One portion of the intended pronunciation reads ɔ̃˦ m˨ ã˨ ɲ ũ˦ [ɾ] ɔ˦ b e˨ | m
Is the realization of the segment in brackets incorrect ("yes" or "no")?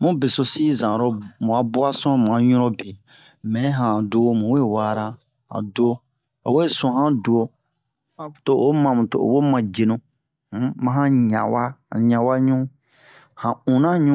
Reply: no